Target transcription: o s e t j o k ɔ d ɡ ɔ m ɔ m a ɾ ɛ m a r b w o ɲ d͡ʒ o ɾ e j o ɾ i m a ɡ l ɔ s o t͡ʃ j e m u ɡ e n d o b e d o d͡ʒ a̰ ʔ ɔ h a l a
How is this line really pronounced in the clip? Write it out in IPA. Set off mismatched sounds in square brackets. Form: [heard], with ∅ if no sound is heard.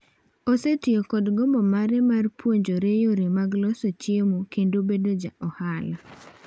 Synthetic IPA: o s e t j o k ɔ d ɡ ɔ m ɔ m a ɾ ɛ m a r [p] w o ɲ d͡ʒ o ɾ e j o ɾ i m a ɡ l ɔ s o t͡ʃ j e m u [k] e n d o b e d o d͡ʒ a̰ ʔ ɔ h a l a

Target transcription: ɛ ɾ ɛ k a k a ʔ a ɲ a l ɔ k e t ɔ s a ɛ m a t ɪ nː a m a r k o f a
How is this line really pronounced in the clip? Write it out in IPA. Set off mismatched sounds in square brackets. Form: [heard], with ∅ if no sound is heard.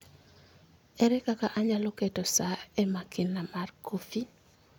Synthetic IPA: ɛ ɾ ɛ k a k a ʔ a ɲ a l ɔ k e t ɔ s a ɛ m a [k] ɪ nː a m a r k o f [i]

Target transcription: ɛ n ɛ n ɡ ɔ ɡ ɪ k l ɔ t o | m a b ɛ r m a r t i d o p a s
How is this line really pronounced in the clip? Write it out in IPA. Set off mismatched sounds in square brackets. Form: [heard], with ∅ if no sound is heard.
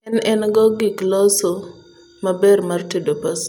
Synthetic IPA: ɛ n ɛ n ɡ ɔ ɡ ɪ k l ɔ [s] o | m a b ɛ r m a r t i d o p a s

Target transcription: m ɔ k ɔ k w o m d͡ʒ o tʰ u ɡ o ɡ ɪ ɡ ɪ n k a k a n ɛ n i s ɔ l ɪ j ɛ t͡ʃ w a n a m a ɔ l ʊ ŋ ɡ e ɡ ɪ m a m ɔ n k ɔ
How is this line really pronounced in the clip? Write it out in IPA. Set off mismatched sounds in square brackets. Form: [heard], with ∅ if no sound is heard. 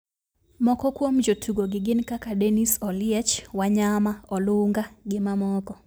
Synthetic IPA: m ɔ k ɔ k w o m d͡ʒ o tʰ u ɡ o ɡ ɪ ɡ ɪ n k a k a [d] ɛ n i s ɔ l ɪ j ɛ t͡ʃ w a [ɲ] a m a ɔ l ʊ ŋ ɡ [a] ɡ ɪ m a m ɔ [∅] k ɔ

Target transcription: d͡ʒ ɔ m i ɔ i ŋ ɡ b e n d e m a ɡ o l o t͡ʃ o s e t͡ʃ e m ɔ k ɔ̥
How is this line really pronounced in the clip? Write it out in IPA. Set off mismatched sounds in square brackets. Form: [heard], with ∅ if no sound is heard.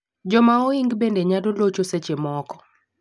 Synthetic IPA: d͡ʒ ɔ m [a] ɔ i ŋ ɡ b e n d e [ɲ] a [d] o l o t͡ʃ o s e t͡ʃ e m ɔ k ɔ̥

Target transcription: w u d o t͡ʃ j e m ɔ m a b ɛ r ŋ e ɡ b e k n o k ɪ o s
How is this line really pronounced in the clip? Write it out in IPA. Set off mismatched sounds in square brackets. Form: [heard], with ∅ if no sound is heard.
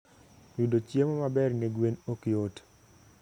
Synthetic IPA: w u d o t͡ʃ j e m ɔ m a b ɛ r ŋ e ɡ [w] e [∅] n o k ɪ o [t]

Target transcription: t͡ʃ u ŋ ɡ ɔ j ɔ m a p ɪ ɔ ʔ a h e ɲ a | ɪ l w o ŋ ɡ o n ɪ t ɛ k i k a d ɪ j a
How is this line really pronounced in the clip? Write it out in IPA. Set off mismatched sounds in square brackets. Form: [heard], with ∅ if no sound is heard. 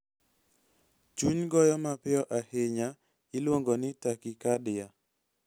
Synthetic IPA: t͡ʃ u [ɲ] ɡ ɔ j ɔ m a p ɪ ɔ ʔ a h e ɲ a | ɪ l w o ŋ ɡ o n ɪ t [a] k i k a d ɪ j a

